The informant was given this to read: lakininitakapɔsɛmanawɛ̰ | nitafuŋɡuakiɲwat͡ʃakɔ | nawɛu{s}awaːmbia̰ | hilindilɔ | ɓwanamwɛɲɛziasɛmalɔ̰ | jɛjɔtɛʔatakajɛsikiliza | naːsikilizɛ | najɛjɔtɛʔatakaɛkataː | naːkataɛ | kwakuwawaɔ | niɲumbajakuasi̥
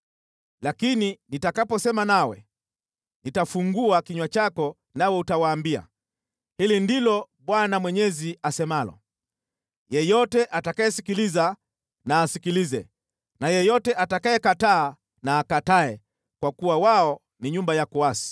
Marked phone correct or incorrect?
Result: incorrect